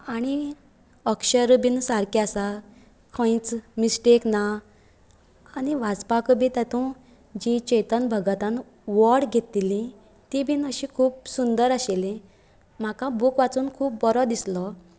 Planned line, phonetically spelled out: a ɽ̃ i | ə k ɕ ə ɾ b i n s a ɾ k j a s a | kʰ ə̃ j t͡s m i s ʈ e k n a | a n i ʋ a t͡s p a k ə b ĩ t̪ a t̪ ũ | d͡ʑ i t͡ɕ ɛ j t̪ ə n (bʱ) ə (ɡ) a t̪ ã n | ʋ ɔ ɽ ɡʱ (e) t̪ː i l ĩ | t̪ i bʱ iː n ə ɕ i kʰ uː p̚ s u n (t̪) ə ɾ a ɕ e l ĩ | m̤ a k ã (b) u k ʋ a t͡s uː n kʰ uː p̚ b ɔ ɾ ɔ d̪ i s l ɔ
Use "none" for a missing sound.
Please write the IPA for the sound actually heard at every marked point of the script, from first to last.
bʱ, ɡ, e, d̪, b

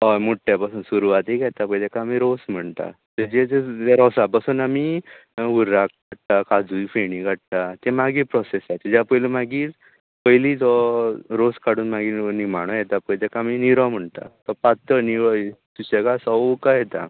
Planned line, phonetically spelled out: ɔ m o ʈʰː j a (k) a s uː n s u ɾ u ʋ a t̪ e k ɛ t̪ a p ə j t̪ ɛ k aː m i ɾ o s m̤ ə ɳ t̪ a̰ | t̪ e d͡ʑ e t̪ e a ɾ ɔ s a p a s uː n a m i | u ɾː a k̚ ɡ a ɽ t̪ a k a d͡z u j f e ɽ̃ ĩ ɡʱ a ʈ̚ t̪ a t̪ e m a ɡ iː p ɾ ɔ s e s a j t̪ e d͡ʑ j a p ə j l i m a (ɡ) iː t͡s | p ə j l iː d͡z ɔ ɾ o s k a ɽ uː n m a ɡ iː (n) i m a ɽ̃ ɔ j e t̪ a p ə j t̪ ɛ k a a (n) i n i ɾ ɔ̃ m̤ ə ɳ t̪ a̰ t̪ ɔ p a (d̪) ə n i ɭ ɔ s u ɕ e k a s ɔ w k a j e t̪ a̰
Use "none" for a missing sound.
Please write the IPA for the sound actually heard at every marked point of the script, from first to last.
p, ɡ, n, m, t̪

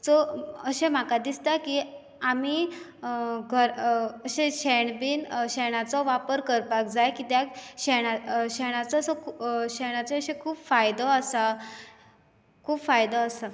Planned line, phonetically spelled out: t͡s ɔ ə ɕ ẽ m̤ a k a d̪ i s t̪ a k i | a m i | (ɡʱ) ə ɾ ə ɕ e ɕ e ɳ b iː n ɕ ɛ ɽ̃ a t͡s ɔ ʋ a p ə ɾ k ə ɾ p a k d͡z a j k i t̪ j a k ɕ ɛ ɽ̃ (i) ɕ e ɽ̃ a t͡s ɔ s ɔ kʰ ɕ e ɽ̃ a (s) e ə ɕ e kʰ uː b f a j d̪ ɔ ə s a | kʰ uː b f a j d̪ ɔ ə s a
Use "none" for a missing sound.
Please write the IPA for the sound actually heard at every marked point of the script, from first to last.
ɡʱ, a, t͡s

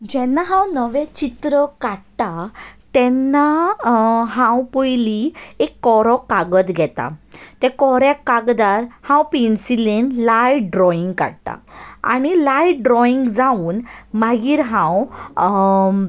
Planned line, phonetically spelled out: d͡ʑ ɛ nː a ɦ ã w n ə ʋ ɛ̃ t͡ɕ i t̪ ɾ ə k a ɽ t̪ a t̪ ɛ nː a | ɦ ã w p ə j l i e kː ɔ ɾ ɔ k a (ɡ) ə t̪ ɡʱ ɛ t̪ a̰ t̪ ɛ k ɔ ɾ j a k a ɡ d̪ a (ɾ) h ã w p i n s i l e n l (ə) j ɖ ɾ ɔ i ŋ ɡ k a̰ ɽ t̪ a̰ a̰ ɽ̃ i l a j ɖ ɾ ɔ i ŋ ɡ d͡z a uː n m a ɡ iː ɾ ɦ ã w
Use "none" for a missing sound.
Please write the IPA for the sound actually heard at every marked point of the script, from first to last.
ɡ, ɾ, a

